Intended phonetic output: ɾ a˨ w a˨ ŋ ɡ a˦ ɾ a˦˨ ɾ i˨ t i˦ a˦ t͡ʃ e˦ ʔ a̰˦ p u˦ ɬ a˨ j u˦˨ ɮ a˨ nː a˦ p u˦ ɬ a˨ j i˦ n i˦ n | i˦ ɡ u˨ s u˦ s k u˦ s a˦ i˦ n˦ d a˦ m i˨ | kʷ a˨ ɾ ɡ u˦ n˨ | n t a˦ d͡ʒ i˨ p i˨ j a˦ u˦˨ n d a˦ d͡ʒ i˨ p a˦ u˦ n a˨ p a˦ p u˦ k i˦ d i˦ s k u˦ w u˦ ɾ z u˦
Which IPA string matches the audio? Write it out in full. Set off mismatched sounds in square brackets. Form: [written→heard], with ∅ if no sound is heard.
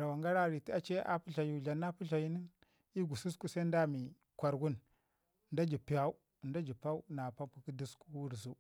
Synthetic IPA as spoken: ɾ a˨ w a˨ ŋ ɡ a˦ ɾ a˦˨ ɾ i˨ t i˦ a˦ t͡ʃ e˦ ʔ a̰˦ p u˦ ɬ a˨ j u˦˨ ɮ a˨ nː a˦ p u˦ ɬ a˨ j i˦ n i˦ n | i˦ ɡ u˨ s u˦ s k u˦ s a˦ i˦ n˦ d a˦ m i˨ | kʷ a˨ ɾ ɡ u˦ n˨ | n [t→d] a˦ d͡ʒ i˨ p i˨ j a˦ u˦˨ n d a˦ d͡ʒ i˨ p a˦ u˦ n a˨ p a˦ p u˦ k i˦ d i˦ s k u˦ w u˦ ɾ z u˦